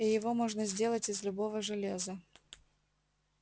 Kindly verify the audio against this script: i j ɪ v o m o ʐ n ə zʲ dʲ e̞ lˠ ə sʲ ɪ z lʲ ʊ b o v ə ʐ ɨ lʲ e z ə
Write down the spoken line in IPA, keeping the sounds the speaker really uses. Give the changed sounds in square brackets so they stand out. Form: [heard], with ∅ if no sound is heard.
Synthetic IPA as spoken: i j ɪ v o m o ʐ n ə zʲ dʲ e̞ lˠ ə [tʲ] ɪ z lʲ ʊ b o v ə ʐ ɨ lʲ e z ə